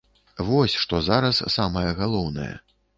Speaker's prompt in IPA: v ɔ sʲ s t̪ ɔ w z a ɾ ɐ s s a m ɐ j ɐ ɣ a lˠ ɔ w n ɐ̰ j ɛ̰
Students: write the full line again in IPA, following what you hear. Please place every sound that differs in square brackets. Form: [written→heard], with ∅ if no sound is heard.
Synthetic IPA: v ɔ sʲ [s→ʂ] t̪ ɔ [w→∅] z a ɾ ɐ s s a m ɐ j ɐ ɣ a lˠ ɔ w n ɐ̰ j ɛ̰